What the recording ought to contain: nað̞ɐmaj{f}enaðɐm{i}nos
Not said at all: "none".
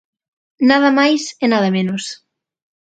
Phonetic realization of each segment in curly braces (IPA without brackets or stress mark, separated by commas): s, e